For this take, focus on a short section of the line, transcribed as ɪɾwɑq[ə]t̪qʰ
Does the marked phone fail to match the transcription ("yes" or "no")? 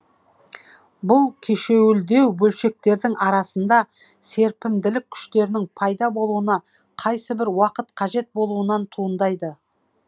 no